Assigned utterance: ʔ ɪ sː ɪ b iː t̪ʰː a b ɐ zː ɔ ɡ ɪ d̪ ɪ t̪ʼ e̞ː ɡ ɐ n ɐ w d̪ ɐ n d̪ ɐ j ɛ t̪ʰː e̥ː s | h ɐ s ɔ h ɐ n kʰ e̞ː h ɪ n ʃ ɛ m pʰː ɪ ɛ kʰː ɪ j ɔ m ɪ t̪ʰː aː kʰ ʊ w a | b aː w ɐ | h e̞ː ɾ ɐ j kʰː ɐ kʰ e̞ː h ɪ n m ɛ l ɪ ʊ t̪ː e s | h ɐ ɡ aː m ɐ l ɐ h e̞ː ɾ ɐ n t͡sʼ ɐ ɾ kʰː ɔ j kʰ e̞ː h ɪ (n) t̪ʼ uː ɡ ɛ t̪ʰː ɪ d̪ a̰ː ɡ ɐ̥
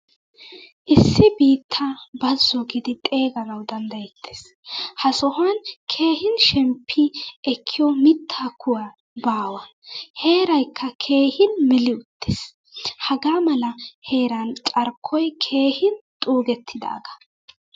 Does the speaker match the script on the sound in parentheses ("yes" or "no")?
yes